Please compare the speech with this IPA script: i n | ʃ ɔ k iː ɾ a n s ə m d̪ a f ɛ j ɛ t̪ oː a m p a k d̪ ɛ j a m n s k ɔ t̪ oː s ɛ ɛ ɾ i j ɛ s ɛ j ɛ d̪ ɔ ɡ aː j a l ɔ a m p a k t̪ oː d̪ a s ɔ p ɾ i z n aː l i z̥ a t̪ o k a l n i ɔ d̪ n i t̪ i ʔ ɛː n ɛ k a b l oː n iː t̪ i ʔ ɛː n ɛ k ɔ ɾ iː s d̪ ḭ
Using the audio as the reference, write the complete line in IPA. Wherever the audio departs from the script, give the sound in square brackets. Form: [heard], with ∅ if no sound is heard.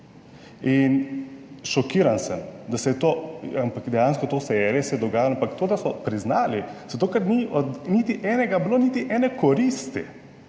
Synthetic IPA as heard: i n | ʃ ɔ k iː ɾ a n s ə m d̪ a [s] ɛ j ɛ t̪ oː a m p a k d̪ ɛ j a [∅] n s k ɔ t̪ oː s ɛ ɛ ɾ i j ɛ s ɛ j ɛ d̪ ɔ ɡ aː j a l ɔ a m p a k t̪ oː d̪ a s ɔ p ɾ i z n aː l i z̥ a t̪ o k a [ɾ] n i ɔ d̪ n i t̪ i ʔ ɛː n ɛ [ɡ] a b l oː n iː t̪ i ʔ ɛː n ɛ k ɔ ɾ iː s [t̪] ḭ